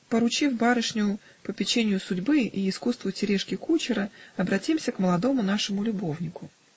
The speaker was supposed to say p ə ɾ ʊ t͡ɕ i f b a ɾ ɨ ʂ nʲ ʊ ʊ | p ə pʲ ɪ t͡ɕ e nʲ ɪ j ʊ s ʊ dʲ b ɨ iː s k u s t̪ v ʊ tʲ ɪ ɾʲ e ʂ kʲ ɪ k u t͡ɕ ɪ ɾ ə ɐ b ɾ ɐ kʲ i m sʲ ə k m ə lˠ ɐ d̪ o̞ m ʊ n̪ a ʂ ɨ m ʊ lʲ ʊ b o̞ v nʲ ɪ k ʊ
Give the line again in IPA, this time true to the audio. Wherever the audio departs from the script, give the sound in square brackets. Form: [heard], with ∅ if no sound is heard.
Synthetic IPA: p ə ɾ ʊ t͡ɕ i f b a ɾ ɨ ʂ nʲ ʊ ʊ | p ə pʲ ɪ t͡ɕ e nʲ ɪ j ʊ s ʊ dʲ b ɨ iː s k u s t̪ v ʊ tʲ ɪ ɾʲ e ʂ kʲ ɪ k u t͡ɕ ɪ ɾ ə ɐ b ɾ ɐ [tʲ] i m sʲ ə k m ə lˠ ɐ d̪ o̞ m ʊ n̪ a ʂ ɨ m ʊ lʲ ʊ b o̞ v nʲ ɪ k ʊ

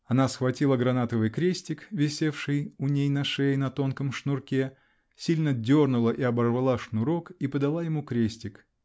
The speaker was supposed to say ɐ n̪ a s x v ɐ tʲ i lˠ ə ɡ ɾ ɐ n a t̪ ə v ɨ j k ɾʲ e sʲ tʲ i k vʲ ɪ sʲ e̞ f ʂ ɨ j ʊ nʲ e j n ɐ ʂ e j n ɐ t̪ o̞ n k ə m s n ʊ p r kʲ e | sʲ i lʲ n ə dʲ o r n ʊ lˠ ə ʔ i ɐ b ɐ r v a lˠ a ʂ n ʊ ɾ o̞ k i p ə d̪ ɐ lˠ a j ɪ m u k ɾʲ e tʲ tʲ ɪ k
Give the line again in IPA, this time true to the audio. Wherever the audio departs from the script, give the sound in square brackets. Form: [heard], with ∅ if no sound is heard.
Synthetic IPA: ɐ n̪ a s x v ɐ tʲ i lˠ ə ɡ ɾ ɐ n a t̪ ə v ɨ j k ɾʲ e sʲ tʲ [ɪ] k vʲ ɪ sʲ e̞ f ʂ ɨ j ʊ nʲ e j n ɐ ʂ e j n ɐ t̪ o̞ n k ə m [ʂ] n ʊ [∅] r kʲ e | sʲ i lʲ n ə dʲ o r n ʊ lˠ ə ʔ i ɐ b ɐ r v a lˠ a ʂ n ʊ ɾ o̞ k i p ə d̪ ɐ lˠ a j ɪ m u k ɾʲ e [sʲ] tʲ ɪ k

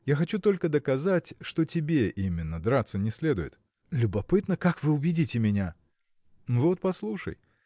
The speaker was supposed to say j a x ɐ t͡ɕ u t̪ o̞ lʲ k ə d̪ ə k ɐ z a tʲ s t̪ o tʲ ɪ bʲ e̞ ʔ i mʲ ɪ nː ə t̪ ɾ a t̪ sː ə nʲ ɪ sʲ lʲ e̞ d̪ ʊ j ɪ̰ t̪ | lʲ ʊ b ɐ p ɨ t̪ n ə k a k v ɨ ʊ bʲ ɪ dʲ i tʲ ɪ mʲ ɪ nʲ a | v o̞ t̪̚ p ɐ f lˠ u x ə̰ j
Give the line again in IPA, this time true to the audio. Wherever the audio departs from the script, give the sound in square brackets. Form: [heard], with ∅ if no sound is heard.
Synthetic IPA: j a x ɐ t͡ɕ u t̪ o̞ lʲ k ə d̪ ə k ɐ z a tʲ [ʂ] t̪ o tʲ ɪ bʲ e̞ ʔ i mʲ ɪ nː ə [d̪] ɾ a t̪ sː ə nʲ ɪ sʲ lʲ e̞ d̪ ʊ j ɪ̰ t̪ | lʲ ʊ b ɐ p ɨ t̪ n ə k a k v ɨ ʊ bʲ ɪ dʲ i tʲ ɪ mʲ ɪ nʲ a | v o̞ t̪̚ p ɐ [s] lˠ u [ʂ] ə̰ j

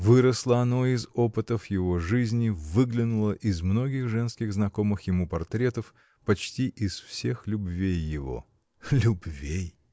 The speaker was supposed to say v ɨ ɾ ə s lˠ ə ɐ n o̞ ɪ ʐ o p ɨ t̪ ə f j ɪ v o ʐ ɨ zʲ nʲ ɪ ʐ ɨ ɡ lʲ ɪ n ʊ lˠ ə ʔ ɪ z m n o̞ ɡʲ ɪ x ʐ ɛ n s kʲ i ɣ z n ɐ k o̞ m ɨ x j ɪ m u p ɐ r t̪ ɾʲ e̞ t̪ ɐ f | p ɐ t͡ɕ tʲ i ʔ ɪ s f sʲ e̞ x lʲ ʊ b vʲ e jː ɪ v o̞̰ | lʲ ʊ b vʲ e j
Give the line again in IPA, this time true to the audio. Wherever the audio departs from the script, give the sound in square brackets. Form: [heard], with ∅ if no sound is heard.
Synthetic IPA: v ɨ ɾ ə s lˠ ə ɐ n o̞ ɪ [z] o p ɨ t̪ ə f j ɪ v o ʐ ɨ zʲ nʲ ɪ [v] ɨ ɡ lʲ ɪ n ʊ lˠ ə ʔ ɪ z m n o̞ ɡʲ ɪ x ʐ ɛ n s kʲ [ɪ] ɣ z n ɐ k o̞ m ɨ x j ɪ m u p ɐ r t̪ ɾʲ e̞ t̪ [ə] f | p ɐ t͡ɕ tʲ i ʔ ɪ s f sʲ e̞ x lʲ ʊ b vʲ e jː ɪ v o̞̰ | lʲ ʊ b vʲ e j

